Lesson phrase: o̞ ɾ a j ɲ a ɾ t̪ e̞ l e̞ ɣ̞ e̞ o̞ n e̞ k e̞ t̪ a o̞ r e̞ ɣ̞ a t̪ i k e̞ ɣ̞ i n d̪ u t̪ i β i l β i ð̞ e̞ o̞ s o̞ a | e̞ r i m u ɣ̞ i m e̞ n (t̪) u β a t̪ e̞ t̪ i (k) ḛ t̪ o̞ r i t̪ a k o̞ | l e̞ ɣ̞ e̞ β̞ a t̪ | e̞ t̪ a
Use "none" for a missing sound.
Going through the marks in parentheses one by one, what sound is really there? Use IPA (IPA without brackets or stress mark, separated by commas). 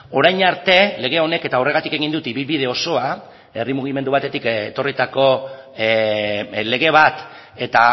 d̪, k